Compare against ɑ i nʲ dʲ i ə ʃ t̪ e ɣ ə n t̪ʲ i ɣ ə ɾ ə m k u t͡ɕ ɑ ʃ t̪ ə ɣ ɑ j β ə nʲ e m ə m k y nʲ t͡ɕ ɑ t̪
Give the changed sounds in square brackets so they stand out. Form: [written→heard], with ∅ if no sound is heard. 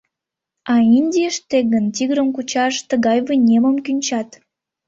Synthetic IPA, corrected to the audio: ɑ i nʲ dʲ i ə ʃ t̪ e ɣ ə n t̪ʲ i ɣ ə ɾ ə m k u t͡ɕ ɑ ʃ t̪ ə ɣ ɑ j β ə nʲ e m ə m k y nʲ t͡ɕ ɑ t̪